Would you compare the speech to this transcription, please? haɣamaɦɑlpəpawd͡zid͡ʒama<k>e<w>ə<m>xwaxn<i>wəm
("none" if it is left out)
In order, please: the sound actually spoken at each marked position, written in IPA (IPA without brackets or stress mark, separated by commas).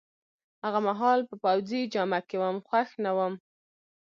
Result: k, w, m, a